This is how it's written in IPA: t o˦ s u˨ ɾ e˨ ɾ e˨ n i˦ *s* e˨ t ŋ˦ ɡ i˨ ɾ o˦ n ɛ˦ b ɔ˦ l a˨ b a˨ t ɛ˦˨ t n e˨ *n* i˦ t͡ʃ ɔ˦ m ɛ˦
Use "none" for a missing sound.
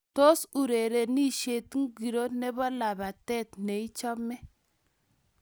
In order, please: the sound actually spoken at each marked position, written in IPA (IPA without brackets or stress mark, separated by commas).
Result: ʃ, none